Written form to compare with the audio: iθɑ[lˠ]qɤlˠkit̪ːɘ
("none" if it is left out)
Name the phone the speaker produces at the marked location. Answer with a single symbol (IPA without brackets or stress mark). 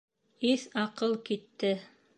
none